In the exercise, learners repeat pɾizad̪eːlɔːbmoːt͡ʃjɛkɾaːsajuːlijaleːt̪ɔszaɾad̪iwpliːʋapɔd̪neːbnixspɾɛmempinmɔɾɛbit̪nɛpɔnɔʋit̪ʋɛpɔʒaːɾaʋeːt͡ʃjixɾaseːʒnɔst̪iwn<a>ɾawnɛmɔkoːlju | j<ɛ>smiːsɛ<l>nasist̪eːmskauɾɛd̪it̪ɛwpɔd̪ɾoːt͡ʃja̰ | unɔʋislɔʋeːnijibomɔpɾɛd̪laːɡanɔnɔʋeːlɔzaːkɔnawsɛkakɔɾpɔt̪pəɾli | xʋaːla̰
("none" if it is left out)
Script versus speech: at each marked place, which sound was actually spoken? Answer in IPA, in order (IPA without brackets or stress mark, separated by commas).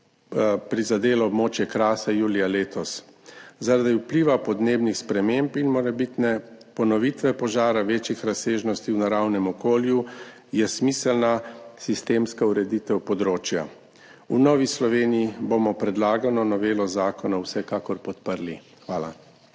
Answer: a, ɛ, l